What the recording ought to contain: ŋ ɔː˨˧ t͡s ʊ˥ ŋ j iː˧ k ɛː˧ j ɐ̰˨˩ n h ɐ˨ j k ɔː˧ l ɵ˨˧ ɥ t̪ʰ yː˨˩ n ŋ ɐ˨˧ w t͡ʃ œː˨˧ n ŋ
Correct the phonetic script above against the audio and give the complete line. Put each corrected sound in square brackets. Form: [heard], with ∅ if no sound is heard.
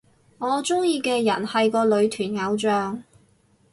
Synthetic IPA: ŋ ɔː˨˧ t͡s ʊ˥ ŋ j iː˧ k ɛː˧ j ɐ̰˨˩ n h ɐ˨ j k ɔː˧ l ɵ˨˧ ɥ t̪ʰ yː˨˩ n ŋ ɐ˨˧ w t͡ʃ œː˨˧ [∅] ŋ